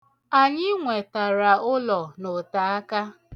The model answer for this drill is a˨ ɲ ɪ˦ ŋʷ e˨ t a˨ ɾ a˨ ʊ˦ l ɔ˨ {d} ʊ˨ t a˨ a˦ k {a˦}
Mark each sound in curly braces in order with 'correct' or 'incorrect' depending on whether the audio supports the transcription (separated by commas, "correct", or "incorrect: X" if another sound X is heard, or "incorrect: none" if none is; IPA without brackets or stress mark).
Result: incorrect: n, correct